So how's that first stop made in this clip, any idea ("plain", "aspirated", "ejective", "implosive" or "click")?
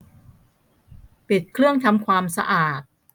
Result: plain